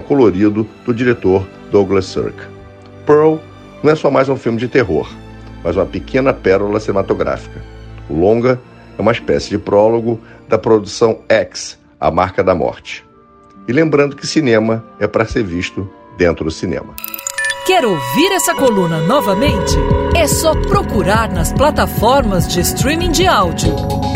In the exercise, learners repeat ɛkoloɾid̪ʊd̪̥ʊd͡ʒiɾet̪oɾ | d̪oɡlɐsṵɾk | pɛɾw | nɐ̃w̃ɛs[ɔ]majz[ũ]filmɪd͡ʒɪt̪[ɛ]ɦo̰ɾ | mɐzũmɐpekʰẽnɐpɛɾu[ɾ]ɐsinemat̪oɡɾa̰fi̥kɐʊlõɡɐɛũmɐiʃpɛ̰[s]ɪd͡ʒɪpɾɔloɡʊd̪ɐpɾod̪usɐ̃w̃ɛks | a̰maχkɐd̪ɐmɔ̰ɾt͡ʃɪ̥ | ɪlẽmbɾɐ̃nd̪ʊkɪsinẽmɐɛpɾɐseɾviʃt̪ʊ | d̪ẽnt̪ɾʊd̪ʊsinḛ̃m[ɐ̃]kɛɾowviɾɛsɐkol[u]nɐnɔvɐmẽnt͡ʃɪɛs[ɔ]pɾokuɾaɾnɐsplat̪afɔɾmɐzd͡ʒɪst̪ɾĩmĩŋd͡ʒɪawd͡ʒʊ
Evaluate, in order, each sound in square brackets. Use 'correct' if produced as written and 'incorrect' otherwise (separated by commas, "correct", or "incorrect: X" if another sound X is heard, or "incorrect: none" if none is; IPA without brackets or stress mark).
correct, correct, incorrect: e, incorrect: l, correct, incorrect: ɐ, incorrect: ũ, correct